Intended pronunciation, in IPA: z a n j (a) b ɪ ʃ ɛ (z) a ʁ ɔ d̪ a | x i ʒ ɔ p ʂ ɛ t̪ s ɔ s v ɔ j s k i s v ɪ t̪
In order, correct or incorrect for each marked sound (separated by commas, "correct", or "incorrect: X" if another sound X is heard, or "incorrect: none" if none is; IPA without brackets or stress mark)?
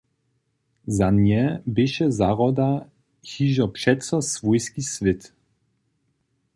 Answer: incorrect: ɛ, correct